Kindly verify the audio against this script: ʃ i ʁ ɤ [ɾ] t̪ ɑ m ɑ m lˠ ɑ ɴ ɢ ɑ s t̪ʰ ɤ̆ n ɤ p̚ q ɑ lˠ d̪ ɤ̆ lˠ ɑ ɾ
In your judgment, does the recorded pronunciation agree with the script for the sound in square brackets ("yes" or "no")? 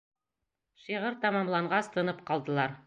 yes